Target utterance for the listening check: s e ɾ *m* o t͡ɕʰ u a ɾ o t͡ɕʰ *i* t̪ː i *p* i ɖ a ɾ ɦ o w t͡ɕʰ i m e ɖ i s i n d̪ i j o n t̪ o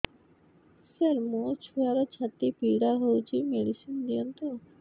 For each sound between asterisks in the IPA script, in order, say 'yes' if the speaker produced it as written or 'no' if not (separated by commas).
yes, no, yes